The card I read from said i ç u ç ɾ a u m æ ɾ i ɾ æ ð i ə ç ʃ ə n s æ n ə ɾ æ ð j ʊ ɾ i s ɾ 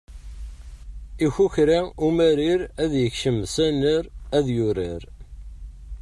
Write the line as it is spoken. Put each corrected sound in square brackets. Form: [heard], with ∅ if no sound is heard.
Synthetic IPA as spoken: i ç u ç ɾ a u m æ ɾ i ɾ æ ð [j] ə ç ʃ ə [m] s æ n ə ɾ æ ð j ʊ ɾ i [∅] ɾ